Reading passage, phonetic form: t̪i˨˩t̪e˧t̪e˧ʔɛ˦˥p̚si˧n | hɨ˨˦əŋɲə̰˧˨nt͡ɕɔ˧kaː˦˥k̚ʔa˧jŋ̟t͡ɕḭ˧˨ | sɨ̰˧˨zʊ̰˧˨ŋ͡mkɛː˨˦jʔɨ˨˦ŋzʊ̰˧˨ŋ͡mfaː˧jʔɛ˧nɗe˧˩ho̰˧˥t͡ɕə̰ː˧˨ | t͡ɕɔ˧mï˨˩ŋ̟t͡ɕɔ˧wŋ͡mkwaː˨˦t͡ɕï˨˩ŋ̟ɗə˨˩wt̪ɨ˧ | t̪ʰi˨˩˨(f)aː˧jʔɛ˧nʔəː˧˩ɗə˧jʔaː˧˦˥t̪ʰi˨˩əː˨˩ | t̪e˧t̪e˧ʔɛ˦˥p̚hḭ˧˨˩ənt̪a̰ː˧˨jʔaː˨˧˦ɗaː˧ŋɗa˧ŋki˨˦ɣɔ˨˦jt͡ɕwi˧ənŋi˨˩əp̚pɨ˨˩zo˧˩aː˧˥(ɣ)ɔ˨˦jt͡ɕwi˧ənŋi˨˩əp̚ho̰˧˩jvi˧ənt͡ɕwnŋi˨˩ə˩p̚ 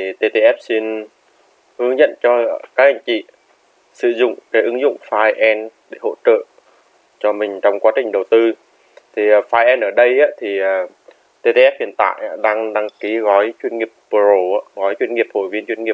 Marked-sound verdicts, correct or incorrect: correct, correct

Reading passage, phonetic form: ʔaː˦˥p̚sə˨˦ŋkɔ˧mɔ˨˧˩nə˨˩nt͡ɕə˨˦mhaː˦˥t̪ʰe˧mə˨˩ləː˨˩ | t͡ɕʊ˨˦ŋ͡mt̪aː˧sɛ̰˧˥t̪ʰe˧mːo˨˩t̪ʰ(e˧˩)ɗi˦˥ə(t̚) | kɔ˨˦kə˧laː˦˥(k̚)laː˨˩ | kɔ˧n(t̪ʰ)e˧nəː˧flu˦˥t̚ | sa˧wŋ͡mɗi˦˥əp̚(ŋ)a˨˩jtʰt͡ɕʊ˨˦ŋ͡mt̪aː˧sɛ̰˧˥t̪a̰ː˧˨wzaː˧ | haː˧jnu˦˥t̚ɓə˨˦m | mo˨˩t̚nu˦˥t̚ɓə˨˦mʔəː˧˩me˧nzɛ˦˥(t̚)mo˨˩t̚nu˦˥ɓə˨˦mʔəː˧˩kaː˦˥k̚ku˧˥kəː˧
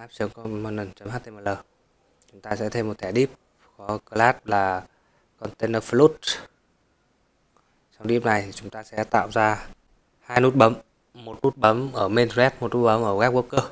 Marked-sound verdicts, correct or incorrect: incorrect: ɛ˧˩, incorrect: p̚, incorrect: t̚, incorrect: t̪, incorrect: n, correct

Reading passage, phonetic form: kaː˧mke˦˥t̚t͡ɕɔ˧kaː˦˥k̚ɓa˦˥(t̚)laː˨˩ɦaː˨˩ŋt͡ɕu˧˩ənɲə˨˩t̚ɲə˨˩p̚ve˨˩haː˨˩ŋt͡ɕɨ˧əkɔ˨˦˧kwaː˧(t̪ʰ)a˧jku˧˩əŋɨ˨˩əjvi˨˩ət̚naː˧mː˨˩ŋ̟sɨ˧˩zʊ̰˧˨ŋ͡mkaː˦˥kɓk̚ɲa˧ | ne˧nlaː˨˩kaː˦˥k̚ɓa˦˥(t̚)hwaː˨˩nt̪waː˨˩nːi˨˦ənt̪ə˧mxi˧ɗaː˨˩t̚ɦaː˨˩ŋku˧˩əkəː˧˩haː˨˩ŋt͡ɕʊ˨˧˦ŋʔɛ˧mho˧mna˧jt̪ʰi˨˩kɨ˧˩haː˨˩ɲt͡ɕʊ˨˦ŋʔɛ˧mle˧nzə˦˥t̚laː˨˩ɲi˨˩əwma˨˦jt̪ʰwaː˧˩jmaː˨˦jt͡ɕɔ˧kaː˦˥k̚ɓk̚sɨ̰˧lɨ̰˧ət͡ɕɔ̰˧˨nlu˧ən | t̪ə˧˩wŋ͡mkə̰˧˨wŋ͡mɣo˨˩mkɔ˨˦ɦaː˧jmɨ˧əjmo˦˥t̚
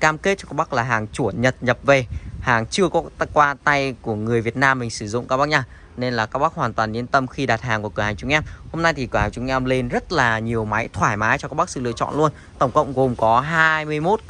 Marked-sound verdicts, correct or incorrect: incorrect: k̚, incorrect: t̪, incorrect: k̚

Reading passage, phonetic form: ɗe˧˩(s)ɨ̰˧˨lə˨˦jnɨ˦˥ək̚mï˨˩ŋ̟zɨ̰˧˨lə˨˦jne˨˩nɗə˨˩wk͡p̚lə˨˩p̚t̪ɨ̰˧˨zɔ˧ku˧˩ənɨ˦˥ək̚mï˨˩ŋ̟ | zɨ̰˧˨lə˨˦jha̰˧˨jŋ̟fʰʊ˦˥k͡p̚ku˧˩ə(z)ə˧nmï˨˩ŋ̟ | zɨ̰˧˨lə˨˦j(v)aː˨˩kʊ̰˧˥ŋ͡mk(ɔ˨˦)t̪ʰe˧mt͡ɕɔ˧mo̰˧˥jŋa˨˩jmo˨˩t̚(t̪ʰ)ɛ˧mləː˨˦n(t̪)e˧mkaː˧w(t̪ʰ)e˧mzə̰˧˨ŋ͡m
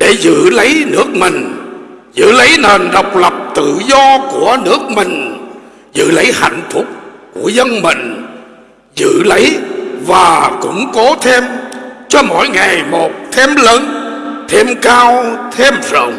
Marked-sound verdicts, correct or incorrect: incorrect: z, correct, correct, incorrect: o˨˦, correct, incorrect: t̪ʰ, correct

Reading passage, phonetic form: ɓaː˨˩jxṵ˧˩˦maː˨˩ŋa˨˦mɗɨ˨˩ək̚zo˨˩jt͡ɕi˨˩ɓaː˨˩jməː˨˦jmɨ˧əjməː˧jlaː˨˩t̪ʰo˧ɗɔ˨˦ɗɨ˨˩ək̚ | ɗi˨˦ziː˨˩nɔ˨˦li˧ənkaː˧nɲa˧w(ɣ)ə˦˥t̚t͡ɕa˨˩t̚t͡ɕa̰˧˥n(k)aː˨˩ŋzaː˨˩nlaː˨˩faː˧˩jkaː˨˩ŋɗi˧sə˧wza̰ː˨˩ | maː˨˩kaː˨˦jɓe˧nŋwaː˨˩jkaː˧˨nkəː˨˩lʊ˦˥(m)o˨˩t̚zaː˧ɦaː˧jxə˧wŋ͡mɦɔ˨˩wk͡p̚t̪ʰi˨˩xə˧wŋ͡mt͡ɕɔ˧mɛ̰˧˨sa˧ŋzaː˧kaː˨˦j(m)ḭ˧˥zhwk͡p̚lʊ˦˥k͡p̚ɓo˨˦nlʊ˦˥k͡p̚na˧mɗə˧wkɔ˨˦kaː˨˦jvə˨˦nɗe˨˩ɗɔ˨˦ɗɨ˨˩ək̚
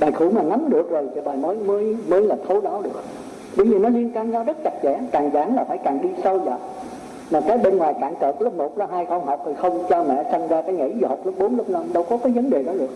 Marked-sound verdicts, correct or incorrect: incorrect: z, correct, correct, incorrect: ŋ

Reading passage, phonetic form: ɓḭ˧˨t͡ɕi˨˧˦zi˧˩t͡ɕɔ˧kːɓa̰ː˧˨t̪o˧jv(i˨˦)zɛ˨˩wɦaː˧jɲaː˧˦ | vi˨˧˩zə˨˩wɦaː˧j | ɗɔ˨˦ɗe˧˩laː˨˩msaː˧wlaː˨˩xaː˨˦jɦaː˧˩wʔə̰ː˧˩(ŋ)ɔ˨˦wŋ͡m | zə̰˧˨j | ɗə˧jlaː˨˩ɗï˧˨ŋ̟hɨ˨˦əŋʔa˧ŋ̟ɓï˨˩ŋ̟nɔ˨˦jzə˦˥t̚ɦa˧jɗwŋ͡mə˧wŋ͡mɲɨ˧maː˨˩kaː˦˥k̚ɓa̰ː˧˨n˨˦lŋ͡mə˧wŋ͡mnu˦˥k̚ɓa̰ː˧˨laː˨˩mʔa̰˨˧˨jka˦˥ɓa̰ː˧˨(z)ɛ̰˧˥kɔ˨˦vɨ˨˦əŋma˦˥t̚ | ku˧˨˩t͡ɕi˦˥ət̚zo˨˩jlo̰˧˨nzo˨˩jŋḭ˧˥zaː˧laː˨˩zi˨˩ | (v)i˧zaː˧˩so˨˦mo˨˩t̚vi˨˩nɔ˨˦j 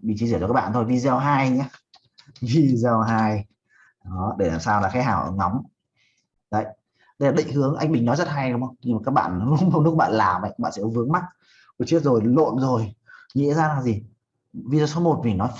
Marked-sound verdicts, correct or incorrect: incorrect: i˨˩, correct, incorrect: s, correct

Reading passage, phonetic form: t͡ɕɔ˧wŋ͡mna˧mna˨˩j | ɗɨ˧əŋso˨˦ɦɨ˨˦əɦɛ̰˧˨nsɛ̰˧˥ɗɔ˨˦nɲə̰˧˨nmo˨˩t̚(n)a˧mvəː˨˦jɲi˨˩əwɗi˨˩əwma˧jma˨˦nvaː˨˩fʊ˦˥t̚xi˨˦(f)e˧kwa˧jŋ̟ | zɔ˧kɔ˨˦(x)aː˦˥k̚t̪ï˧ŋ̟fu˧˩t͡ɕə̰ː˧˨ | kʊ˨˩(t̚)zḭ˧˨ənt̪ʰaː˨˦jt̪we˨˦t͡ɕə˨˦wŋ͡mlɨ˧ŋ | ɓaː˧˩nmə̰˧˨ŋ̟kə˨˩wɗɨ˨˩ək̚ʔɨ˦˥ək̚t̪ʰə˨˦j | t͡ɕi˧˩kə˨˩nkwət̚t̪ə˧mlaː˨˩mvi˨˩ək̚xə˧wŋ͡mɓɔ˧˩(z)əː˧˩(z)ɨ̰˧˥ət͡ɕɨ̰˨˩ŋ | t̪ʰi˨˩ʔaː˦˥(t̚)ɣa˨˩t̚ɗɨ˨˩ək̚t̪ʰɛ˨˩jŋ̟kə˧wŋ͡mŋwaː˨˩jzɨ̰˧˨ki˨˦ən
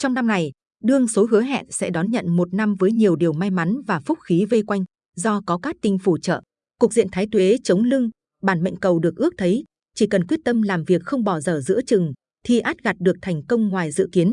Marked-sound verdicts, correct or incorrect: correct, incorrect: v, incorrect: k, incorrect: k̚, correct, correct, correct

